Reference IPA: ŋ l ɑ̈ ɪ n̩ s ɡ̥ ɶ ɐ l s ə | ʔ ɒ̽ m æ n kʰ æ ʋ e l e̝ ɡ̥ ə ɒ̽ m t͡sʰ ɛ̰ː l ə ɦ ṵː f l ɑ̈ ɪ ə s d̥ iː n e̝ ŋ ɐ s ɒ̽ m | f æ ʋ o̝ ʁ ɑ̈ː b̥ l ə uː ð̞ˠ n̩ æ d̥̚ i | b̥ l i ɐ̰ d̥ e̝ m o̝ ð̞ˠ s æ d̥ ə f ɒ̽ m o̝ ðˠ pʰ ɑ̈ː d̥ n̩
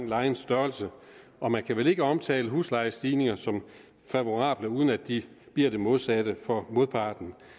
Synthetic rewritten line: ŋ l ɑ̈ ɪ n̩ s d̥ ɶ ɐ l s ə | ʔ ɒ̽ m æ n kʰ æ ʋ e l e̝ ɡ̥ ə ɒ̽ m t͡sʰ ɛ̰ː l ə ɦ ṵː s l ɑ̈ ɪ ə s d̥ iː n e̝ ŋ ɐ s ɒ̽ m | f æ ʋ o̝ ʁ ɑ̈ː b̥ l ə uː ð̞ˠ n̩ æ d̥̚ i | b̥ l i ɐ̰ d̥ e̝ m o̝ ð̞ˠ s æ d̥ ə f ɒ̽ m o̝ ðˠ pʰ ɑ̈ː d̥ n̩